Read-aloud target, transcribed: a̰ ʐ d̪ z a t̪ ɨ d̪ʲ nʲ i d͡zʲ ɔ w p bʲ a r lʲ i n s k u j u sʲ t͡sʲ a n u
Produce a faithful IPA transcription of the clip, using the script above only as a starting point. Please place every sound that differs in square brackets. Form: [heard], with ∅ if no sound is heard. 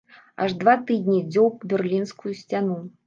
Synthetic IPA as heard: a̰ ʐ d̪ [v] a t̪ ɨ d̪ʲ nʲ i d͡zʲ ɔ w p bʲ [ɛ] r lʲ i n s k u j u sʲ t͡sʲ a n u